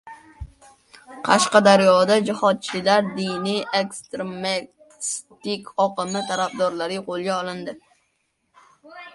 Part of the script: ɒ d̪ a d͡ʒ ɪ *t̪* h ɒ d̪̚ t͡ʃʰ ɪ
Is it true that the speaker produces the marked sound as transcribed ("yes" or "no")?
no